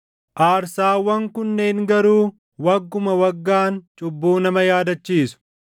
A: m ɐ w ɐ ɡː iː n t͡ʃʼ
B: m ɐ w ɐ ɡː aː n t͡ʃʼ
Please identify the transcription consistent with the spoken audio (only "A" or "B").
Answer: B